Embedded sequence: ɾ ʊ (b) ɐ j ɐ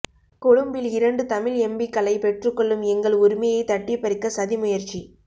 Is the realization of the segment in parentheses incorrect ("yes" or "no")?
yes